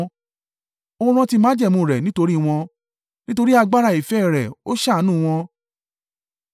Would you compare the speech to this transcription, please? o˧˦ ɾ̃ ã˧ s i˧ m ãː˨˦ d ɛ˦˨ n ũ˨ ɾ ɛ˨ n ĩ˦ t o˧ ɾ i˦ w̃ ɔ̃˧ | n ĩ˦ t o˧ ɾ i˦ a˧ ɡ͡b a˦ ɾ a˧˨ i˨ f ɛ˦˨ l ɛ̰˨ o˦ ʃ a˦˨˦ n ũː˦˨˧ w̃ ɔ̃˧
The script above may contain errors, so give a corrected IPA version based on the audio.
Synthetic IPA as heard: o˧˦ ɾ̃ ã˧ t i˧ m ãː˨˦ d͡ʒ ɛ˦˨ m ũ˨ ɾ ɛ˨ n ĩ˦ t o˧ ɾ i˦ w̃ ɔ̃˧ | n ĩ˦ t o˧ ɾ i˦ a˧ ɡ͡b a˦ ɾ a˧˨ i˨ f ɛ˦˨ ɾ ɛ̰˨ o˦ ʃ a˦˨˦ n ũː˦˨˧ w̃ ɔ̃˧